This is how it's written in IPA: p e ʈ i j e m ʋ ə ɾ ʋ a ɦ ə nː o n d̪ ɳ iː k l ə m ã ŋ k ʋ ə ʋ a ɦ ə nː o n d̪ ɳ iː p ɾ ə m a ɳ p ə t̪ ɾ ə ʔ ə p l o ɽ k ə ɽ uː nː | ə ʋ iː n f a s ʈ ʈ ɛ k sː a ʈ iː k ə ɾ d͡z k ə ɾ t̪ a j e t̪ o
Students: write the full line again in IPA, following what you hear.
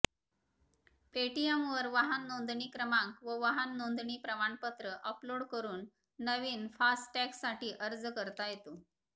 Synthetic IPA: p e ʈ i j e m ʋ ə ɾ ʋ a ɦ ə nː o n d̪ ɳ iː k ɾ ə m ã ŋ k ʋ ə ʋ a ɦ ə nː o n d̪ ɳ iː p ɾ ə m a ɳ p ə t̪ ɾ ə ʔ ə p l o ɽ k ə ɾ uː nː | ə ʋ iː n f a s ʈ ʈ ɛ k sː a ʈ iː ʔ ə ɾ d͡z k ə ɾ t̪ a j e t̪ o